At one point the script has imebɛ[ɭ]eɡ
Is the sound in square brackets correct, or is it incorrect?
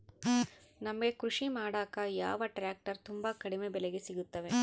incorrect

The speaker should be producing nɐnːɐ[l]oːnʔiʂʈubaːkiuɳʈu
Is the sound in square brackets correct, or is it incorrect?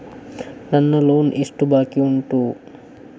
correct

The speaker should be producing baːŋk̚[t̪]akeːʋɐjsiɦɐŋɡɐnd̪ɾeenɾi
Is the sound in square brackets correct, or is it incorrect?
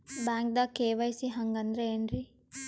incorrect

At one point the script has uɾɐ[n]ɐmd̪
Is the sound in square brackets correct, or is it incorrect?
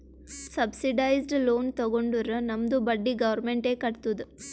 correct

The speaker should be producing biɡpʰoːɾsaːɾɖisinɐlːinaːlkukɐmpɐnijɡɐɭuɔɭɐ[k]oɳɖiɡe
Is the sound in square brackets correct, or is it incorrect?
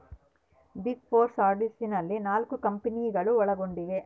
incorrect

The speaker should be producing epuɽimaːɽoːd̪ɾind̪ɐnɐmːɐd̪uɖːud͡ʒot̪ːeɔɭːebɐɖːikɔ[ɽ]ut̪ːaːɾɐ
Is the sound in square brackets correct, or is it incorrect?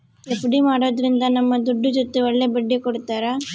correct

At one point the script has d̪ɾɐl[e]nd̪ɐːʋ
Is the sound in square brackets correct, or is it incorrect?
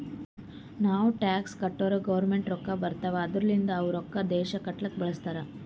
incorrect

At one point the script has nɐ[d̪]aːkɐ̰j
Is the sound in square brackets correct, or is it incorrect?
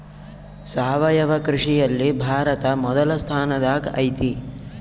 correct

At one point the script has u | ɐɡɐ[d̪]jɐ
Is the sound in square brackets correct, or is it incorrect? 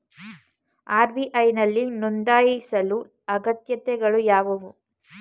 incorrect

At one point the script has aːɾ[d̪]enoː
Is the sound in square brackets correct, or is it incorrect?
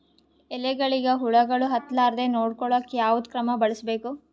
correct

